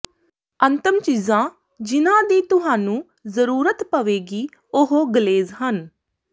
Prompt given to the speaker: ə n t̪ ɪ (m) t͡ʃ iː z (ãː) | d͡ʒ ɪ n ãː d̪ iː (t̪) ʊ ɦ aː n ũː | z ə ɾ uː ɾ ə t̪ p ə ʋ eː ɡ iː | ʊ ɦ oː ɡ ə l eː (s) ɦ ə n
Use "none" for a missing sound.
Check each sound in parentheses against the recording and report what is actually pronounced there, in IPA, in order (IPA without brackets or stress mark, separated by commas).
m, ãː, t̪, z